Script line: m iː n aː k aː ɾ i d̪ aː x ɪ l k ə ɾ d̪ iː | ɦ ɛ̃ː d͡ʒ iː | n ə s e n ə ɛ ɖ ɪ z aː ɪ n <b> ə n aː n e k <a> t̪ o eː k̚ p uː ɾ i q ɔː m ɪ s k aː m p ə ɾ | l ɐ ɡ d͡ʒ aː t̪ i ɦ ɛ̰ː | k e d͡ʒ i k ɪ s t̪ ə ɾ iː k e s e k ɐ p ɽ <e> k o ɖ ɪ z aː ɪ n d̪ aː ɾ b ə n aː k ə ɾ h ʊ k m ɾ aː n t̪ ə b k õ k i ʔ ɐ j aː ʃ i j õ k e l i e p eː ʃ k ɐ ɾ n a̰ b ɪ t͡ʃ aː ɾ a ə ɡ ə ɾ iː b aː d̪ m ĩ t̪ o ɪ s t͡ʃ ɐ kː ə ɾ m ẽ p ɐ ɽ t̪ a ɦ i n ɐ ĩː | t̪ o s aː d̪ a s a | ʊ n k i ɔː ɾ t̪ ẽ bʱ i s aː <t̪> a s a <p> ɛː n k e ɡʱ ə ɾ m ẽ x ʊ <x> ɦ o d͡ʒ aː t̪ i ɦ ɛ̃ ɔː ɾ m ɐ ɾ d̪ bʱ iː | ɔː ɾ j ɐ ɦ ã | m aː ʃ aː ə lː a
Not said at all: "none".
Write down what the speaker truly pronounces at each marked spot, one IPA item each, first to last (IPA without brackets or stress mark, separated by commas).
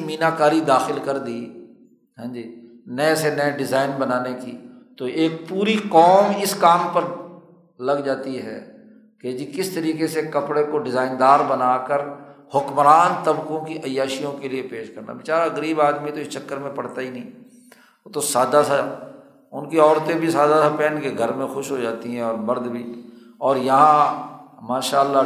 b, i, e, d̪, p, ʃ